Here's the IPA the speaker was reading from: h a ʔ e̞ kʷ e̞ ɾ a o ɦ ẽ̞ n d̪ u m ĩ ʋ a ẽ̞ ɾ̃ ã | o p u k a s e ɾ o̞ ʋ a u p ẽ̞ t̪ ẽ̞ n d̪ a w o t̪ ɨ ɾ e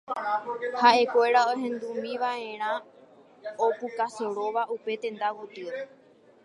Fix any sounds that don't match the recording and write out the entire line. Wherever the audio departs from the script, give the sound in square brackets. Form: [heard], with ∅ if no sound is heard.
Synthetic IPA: h a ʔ e̞ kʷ e̞ ɾ a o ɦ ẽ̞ n d̪ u m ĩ ʋ a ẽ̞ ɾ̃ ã | o p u k a s e ɾ o̞ ʋ a u p [e̞] t̪ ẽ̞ n d̪ a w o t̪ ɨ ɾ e